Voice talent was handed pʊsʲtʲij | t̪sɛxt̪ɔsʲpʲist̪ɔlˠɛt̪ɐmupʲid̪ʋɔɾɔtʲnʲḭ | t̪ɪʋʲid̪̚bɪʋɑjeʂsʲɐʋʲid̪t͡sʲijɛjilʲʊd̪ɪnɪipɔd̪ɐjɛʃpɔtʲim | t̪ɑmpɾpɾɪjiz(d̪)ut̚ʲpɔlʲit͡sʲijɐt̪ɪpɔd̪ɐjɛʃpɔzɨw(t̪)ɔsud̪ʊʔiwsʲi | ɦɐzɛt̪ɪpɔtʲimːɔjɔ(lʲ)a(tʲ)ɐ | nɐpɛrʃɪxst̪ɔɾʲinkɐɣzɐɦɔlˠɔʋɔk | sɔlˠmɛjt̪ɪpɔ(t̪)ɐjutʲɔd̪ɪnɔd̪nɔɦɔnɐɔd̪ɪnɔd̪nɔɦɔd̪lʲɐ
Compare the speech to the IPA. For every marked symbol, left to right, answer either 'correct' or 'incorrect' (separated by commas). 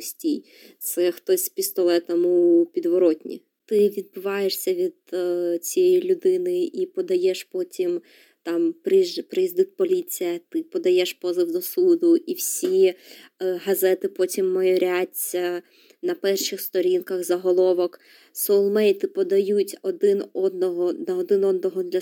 correct, incorrect, incorrect, correct, incorrect